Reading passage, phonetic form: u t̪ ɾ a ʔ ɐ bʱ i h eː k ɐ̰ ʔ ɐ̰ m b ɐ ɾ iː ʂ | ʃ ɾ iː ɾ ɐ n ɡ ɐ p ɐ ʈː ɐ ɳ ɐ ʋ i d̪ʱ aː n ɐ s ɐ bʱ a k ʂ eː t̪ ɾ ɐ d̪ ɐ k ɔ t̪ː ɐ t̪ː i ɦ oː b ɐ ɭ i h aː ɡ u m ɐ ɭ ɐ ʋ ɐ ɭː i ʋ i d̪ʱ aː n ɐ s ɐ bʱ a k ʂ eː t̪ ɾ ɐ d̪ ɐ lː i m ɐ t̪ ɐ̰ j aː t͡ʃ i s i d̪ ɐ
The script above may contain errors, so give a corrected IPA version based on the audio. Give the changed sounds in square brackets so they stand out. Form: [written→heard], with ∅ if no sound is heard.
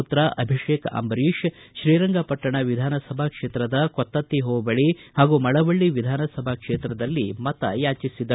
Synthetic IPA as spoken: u t̪ ɾ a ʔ ɐ bʱ i [h→ʂ] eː k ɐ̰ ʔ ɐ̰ m b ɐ ɾ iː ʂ | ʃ ɾ iː ɾ ɐ [n→ŋ] ɡ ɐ p ɐ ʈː ɐ ɳ ɐ ʋ i d̪ʱ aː n ɐ s ɐ bʱ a k ʂ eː t̪ ɾ ɐ d̪ ɐ k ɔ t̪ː ɐ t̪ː i ɦ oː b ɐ ɭ i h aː ɡ u m ɐ ɭ ɐ ʋ ɐ ɭː i ʋ i d̪ʱ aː n ɐ s ɐ bʱ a k ʂ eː t̪ ɾ ɐ d̪ ɐ lː i m ɐ t̪ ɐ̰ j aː t͡ʃ i s i d̪ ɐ